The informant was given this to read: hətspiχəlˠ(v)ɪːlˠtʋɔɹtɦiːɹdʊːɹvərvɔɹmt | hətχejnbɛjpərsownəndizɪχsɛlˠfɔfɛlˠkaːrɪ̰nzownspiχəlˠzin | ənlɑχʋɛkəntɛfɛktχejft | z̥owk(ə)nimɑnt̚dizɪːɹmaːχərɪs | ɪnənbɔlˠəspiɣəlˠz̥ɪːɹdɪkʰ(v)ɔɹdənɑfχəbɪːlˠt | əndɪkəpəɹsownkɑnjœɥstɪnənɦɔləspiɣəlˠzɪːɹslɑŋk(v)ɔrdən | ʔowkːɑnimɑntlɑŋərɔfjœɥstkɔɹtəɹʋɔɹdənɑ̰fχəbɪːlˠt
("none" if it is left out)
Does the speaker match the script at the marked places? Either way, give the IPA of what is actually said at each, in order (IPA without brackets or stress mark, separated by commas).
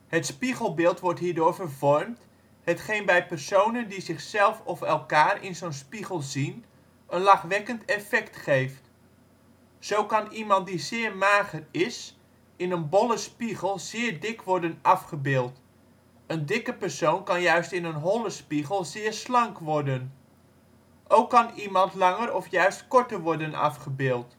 b, ɑ, ʋ, ʋ